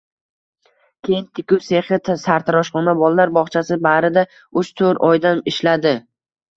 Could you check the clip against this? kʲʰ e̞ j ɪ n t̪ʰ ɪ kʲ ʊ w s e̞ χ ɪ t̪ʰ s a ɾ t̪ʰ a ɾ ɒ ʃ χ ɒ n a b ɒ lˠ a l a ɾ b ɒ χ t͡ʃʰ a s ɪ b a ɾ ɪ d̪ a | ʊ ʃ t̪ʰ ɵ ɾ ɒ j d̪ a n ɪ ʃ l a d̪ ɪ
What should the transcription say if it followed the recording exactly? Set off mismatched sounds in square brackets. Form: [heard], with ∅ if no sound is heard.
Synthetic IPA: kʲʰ e̞ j ɪ n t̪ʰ ɪ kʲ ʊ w s e̞ χ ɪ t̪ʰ s a ɾ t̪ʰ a ɾ ɒ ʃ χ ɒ n a b ɒ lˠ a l a ɾ b ɒ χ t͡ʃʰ a s ɪ b a ɾ ɪ d̪ a | ʊ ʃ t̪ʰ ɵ ɾ ɒ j d̪ a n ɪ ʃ l a d̪ ɪ